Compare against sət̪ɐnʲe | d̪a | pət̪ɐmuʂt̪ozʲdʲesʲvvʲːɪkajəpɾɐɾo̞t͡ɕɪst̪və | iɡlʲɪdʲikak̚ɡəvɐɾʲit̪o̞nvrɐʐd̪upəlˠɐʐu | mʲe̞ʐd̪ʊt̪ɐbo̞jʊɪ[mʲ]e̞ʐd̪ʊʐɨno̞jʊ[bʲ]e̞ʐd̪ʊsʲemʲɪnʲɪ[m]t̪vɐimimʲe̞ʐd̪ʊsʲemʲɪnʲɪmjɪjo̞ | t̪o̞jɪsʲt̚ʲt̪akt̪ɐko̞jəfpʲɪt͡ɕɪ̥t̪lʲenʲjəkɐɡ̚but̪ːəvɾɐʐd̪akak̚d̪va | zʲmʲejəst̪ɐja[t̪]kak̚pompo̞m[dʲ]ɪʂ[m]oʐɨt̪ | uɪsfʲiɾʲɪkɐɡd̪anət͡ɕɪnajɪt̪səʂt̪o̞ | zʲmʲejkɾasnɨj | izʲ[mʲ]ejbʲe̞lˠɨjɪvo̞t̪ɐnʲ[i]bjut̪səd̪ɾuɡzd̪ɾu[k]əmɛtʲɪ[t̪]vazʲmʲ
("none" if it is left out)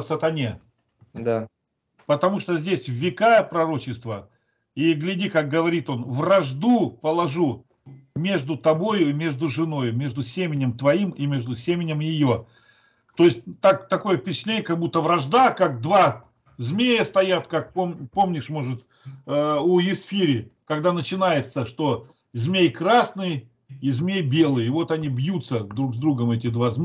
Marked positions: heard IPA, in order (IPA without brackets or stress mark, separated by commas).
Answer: mʲ, mʲ, m, t̪, nʲ, m, mʲ, i, ɡ, d̪